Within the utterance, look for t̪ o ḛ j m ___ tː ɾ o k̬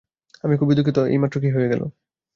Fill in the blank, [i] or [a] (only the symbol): a